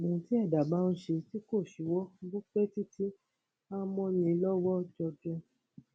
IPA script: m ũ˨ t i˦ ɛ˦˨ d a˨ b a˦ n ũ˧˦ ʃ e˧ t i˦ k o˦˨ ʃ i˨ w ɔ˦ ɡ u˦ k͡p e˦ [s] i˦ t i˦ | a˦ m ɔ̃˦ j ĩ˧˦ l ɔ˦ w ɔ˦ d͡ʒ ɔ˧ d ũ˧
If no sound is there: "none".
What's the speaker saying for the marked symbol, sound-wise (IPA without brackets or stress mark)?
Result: t